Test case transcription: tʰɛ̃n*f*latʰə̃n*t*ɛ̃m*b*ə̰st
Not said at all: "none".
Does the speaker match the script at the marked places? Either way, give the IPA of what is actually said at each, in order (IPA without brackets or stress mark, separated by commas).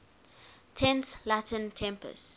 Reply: s, tʰ, p